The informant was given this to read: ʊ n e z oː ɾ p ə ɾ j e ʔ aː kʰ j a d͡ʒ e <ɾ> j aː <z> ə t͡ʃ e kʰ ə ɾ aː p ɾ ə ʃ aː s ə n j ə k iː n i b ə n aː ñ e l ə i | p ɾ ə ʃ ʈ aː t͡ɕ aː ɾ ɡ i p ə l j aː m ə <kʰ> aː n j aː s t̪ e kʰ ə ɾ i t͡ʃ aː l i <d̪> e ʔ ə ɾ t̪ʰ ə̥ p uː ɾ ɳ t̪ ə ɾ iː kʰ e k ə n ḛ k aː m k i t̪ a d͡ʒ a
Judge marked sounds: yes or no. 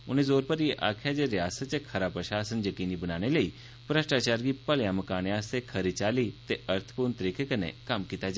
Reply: yes, no, no, no

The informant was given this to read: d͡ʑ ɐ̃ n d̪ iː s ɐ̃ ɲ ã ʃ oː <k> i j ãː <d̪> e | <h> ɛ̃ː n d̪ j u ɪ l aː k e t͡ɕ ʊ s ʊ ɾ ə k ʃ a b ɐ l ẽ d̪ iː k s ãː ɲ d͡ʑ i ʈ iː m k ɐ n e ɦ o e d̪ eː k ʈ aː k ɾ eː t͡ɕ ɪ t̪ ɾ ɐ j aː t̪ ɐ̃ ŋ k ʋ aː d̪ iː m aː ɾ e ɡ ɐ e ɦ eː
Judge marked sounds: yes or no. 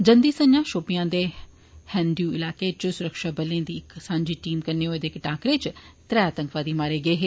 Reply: no, yes, yes

